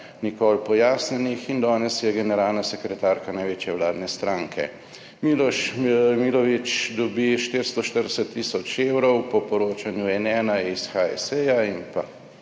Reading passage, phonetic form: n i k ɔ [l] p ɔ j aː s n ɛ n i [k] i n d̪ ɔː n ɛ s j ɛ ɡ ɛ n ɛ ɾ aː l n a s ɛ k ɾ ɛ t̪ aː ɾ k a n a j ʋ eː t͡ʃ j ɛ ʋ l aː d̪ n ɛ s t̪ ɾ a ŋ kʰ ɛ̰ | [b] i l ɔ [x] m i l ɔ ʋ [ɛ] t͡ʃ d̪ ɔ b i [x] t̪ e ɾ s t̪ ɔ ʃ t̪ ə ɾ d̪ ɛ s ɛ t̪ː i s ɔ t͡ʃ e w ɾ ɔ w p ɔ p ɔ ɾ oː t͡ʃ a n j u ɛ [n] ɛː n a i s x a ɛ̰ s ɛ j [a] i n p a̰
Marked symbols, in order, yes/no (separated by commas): yes, no, no, no, no, no, yes, yes